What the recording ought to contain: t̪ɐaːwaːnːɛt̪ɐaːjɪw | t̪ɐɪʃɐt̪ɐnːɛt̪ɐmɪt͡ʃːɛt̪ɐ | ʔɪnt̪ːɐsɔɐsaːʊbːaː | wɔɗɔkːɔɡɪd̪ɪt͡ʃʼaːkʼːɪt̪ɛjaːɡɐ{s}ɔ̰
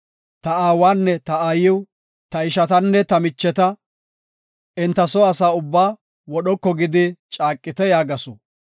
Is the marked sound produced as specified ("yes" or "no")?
yes